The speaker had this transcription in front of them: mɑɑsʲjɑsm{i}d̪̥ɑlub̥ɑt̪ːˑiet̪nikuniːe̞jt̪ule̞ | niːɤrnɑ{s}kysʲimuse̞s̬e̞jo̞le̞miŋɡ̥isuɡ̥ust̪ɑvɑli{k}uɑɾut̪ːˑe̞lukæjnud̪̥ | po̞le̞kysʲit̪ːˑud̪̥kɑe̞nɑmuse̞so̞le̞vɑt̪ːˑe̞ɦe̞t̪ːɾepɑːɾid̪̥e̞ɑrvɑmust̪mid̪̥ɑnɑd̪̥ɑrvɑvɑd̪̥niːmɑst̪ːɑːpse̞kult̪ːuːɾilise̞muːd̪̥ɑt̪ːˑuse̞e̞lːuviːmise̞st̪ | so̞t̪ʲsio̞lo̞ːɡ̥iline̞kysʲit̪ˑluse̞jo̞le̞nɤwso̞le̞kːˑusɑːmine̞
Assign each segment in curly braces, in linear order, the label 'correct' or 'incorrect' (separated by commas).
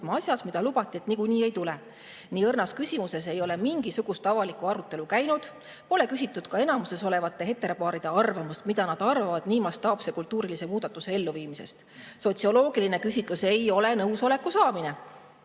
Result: correct, correct, correct